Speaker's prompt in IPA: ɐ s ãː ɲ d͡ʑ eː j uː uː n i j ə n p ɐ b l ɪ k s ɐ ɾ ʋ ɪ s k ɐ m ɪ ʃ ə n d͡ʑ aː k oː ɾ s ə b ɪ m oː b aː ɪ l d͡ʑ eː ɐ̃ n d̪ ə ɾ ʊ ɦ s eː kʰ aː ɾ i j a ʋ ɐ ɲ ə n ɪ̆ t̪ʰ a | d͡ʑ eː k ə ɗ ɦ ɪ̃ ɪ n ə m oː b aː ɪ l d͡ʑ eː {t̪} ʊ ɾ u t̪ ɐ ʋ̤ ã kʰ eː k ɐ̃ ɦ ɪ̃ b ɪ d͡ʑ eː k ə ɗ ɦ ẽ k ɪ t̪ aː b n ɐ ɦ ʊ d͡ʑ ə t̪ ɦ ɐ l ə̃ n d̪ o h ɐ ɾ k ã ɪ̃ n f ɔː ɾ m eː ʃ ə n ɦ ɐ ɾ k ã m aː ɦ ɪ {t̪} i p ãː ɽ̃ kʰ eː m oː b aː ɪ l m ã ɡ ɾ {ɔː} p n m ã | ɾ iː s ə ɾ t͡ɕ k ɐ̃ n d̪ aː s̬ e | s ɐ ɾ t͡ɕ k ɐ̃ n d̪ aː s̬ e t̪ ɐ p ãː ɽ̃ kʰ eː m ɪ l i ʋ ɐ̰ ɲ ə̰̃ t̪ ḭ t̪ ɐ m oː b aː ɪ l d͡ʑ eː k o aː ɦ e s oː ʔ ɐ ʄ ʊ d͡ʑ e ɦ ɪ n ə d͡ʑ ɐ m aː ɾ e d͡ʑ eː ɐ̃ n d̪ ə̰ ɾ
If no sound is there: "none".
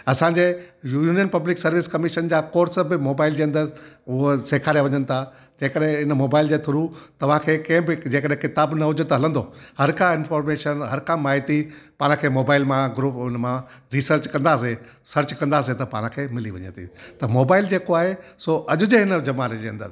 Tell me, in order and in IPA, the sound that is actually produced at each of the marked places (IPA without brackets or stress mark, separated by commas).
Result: t̪ʰ, t̪, uː